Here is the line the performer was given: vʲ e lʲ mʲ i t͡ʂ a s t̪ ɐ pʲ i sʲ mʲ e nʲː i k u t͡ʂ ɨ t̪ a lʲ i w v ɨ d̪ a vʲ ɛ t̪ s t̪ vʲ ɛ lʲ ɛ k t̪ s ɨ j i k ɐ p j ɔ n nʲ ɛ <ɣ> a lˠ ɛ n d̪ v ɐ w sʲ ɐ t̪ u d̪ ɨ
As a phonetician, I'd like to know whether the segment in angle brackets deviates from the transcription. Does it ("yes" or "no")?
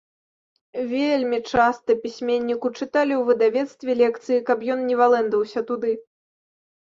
yes